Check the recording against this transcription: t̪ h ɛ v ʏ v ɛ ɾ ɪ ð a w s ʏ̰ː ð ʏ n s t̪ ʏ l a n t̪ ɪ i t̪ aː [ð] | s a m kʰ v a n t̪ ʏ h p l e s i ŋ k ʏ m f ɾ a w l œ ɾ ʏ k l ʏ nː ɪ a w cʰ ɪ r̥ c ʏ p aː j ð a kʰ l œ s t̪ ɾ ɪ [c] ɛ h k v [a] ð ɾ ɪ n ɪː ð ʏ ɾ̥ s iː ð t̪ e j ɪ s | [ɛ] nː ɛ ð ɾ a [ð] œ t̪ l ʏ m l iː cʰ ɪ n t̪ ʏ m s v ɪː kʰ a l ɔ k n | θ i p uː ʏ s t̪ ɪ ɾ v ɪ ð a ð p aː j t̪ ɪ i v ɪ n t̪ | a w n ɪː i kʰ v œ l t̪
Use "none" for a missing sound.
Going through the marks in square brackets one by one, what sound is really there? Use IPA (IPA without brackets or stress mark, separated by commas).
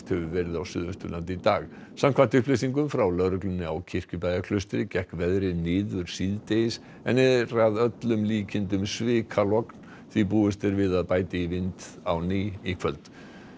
ɣ, c, ɛ, ɛ, ð